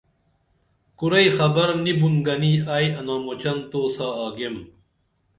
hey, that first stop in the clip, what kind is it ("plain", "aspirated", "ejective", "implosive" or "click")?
plain